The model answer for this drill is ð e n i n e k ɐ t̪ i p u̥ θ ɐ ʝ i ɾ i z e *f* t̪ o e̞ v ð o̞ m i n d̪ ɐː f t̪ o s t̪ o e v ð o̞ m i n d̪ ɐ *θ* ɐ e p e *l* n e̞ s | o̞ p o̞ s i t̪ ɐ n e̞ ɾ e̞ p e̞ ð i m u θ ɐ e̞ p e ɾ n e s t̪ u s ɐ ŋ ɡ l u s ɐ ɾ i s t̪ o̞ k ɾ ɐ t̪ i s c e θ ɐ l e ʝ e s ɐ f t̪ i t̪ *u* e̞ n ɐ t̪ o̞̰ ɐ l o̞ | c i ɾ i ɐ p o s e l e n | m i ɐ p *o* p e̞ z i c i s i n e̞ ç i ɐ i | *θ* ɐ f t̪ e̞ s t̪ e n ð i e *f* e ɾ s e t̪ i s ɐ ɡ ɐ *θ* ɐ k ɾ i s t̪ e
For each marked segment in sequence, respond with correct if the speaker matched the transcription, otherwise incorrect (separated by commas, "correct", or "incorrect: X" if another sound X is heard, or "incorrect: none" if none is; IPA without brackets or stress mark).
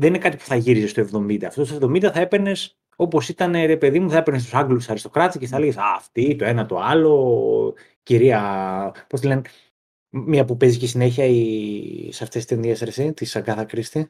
incorrect: s, correct, incorrect: ɾ, incorrect: o, incorrect: u, incorrect: s, incorrect: s, correct